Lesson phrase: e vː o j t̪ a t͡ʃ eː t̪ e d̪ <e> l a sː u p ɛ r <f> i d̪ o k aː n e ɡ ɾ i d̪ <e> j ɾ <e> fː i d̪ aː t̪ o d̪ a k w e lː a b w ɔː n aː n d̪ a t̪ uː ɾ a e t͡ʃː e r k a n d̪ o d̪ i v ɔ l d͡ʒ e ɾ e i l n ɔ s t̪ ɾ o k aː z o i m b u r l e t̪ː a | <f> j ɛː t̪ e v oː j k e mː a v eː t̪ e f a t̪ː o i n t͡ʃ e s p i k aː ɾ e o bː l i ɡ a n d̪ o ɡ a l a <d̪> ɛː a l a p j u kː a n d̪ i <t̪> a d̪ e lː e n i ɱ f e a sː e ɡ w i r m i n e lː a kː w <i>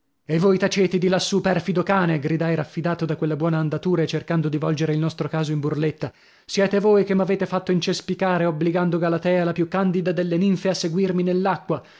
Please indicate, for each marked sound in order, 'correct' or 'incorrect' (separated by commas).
incorrect, correct, incorrect, incorrect, incorrect, incorrect, incorrect, incorrect